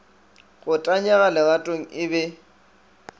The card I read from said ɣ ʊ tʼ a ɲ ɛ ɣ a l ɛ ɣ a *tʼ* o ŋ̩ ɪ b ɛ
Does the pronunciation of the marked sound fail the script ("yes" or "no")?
no